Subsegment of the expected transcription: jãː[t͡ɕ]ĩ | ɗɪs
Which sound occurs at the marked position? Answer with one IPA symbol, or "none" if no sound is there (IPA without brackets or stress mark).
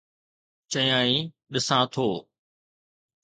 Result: none